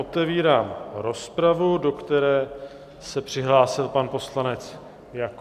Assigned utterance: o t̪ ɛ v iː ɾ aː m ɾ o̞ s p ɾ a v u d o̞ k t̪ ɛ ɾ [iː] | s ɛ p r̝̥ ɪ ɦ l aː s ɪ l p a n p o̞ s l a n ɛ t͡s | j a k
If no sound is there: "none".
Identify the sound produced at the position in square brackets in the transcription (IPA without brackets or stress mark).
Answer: ɛː